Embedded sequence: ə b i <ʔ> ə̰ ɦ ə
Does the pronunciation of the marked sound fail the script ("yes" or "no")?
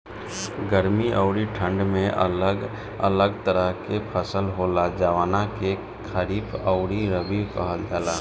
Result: yes